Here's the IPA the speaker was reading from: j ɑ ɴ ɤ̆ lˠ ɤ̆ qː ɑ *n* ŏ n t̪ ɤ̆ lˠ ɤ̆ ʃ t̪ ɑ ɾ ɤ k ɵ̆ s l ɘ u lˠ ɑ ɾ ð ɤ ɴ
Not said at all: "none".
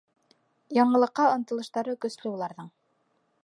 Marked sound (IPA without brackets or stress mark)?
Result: none